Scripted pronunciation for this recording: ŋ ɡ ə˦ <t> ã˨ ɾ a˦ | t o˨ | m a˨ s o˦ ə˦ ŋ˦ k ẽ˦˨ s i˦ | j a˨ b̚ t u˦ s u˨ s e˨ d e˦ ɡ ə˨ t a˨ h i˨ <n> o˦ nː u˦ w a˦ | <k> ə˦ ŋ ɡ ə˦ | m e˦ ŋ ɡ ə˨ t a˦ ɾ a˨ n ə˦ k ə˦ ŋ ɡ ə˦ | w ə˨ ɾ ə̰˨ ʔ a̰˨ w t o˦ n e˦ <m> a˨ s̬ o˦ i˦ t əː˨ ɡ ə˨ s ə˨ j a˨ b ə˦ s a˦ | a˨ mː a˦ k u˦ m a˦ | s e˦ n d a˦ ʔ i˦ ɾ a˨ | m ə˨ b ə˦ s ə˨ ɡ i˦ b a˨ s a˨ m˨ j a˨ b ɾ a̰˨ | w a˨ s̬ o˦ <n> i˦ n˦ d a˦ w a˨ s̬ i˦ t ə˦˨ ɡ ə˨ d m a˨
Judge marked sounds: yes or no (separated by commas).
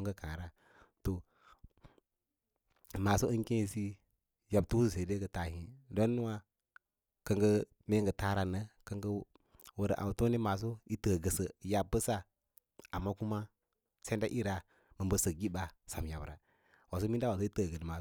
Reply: no, no, yes, yes, no